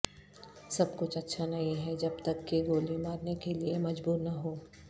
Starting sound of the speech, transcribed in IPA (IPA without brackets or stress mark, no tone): s